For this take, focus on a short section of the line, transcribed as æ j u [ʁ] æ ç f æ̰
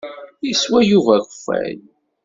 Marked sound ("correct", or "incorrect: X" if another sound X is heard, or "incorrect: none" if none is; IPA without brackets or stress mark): incorrect: v